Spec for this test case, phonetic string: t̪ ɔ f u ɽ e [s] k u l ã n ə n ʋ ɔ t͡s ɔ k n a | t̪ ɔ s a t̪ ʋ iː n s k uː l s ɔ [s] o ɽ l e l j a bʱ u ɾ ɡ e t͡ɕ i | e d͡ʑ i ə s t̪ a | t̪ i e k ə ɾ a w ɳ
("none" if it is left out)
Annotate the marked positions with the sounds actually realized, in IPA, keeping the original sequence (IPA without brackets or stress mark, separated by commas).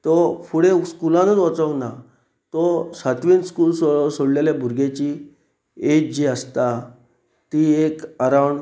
s, s